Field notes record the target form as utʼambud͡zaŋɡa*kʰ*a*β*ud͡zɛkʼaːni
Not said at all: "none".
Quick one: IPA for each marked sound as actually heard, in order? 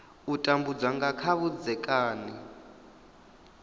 kʰ, β

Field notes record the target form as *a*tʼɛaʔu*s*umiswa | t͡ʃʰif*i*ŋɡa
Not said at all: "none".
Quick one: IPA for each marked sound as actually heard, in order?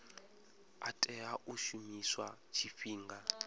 a, ʃ, iː

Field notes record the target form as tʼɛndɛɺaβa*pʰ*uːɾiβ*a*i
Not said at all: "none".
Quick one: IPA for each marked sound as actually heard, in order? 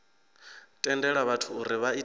tʰ, a

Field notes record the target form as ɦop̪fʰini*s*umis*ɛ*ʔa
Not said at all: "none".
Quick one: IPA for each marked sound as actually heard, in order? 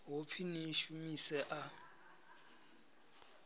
ʃ, ɛ

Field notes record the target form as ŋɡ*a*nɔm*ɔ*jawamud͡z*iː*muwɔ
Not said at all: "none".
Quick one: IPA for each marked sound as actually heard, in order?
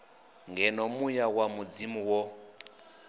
ɛ, u, i

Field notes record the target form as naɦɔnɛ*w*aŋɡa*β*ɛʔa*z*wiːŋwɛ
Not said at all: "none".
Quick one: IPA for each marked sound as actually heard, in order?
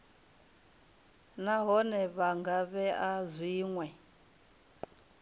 β, β, z

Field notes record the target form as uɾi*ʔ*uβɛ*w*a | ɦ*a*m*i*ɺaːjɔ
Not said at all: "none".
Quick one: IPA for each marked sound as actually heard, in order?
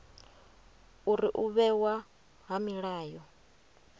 ʔ, w, a, i

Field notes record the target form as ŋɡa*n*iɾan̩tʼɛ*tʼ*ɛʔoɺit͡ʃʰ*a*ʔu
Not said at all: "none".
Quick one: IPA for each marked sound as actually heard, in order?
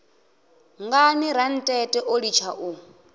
n, tʼ, a

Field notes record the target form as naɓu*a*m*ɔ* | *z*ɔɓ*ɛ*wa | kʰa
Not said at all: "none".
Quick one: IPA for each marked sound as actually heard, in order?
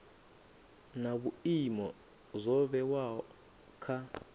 i, ɔ, z, ɛ

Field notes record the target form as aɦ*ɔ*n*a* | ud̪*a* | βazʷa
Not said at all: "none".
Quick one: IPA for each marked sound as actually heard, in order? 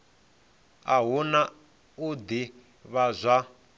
u, a, i

